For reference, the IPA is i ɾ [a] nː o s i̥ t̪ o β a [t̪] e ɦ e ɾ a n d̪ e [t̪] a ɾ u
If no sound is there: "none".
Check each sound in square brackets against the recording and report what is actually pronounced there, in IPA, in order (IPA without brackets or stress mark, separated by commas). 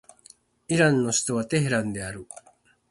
a, t̪, none